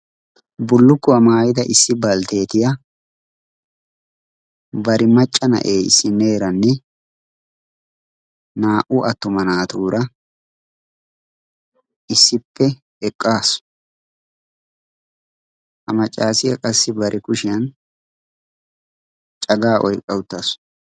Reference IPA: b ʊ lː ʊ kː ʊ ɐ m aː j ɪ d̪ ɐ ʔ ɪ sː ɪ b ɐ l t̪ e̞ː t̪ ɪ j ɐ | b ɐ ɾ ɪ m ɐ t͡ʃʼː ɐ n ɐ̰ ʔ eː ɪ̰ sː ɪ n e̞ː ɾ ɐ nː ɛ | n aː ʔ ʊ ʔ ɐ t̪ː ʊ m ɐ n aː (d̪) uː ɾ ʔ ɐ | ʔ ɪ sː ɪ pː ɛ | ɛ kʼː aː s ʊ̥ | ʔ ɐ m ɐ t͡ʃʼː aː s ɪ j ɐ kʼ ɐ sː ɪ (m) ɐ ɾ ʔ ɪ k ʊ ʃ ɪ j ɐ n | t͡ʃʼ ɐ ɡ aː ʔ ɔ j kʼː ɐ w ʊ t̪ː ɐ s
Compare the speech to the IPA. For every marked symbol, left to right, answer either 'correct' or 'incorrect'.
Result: incorrect, incorrect

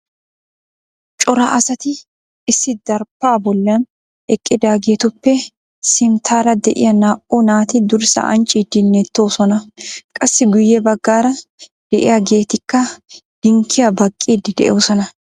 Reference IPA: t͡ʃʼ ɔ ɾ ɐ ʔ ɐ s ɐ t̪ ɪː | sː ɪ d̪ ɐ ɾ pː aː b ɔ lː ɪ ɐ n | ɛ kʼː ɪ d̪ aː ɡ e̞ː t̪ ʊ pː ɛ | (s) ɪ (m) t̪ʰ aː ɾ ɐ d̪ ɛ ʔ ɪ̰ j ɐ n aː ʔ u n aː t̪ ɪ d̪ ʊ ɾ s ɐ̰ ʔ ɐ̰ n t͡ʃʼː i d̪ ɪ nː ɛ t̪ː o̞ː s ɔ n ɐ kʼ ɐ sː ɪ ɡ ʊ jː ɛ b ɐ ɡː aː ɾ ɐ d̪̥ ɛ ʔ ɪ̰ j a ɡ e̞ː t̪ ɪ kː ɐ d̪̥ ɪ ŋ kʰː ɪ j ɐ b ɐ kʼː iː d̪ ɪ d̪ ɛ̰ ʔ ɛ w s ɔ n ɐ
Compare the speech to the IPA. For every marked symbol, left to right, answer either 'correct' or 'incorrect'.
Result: correct, correct

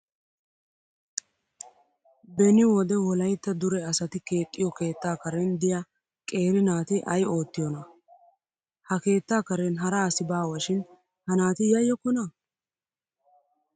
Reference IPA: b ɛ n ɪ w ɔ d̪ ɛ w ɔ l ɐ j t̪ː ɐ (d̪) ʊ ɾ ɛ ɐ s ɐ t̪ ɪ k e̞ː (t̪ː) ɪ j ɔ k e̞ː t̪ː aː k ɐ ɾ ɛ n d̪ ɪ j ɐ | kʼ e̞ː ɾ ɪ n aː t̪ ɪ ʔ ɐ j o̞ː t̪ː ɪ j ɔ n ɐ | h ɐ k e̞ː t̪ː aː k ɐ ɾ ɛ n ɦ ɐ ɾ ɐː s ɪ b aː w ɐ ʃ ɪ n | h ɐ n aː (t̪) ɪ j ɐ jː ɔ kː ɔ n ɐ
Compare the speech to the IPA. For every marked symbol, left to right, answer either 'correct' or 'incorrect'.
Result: correct, incorrect, correct

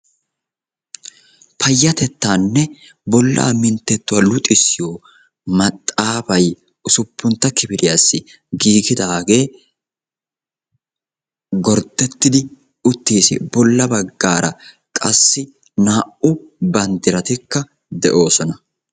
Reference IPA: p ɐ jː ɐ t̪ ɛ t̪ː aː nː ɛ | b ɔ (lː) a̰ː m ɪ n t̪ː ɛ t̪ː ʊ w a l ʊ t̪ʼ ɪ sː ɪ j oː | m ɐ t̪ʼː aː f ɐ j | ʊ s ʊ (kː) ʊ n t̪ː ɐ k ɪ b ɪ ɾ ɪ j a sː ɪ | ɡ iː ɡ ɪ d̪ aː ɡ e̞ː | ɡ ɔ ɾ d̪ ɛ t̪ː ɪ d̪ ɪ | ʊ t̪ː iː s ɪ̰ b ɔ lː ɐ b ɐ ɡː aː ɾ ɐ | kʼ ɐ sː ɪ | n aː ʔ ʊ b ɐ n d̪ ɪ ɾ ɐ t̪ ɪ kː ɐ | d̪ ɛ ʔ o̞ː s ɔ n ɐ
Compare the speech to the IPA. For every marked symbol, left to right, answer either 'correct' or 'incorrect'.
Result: correct, incorrect

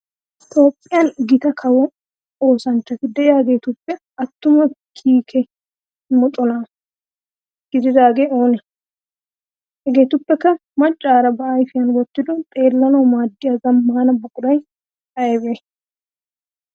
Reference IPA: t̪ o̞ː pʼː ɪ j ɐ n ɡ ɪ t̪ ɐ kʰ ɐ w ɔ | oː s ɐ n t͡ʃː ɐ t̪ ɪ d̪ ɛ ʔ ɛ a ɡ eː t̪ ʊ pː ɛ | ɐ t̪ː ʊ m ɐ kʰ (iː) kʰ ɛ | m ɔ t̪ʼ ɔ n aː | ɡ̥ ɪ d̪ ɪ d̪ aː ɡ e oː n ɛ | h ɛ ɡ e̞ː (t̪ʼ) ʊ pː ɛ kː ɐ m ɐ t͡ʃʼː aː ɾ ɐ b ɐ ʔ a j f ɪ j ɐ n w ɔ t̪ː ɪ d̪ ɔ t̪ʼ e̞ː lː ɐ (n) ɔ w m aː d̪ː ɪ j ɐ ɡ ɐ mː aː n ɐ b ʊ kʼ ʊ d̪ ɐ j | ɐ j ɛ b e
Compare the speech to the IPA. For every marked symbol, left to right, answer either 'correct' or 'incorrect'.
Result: correct, incorrect, correct

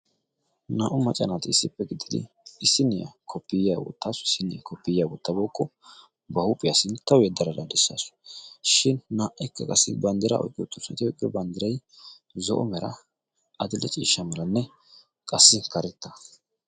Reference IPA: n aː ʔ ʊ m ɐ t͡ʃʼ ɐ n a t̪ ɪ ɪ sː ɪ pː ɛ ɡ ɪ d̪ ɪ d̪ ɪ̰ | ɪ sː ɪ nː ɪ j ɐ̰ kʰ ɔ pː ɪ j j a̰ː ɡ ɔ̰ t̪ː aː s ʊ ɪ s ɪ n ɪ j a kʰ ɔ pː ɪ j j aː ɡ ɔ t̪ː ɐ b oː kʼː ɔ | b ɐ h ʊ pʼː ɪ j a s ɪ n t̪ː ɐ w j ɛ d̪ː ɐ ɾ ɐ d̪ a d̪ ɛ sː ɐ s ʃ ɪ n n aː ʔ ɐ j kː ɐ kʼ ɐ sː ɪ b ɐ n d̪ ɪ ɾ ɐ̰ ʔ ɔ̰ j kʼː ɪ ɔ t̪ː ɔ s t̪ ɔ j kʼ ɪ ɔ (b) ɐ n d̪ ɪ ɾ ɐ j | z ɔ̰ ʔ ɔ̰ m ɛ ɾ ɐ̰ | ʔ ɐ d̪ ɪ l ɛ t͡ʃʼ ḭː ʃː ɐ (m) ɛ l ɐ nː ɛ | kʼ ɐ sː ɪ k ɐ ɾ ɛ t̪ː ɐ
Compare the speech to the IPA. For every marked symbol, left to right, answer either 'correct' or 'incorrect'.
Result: correct, correct

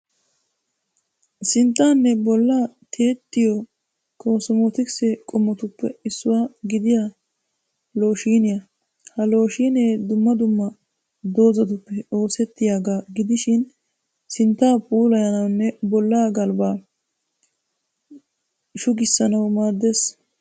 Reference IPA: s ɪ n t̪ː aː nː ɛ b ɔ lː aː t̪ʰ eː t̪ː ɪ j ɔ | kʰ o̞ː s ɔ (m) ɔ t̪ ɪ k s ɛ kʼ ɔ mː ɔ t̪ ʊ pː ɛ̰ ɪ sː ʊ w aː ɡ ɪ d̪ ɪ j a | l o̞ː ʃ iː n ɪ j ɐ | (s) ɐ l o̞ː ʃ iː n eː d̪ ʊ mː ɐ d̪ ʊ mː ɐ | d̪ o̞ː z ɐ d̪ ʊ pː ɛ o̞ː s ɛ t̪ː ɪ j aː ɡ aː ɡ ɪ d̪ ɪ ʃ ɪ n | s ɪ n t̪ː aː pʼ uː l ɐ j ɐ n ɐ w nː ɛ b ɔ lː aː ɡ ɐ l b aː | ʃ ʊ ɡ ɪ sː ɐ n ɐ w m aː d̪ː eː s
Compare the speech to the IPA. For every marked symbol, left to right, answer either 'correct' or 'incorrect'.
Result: correct, incorrect

